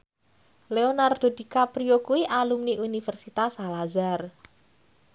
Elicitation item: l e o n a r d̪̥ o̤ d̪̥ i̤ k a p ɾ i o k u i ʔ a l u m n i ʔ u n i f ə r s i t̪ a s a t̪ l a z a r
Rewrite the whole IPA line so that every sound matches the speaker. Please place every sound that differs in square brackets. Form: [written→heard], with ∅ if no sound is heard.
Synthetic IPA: l e o n a r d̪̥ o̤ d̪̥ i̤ k a p ɾ i o k u i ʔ a l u m n i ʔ u n i f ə r s i t̪ a s a [t̪→∅] l a z a r